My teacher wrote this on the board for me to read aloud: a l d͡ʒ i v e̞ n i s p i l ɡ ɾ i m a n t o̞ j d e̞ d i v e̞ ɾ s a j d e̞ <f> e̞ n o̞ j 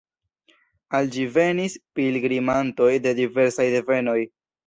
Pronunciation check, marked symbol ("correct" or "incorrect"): incorrect